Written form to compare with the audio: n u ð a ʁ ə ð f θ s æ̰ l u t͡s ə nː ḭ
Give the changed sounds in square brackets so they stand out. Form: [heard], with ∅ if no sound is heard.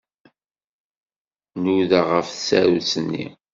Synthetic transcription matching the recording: n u ð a ʁ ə [∅] f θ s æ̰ [ɾ] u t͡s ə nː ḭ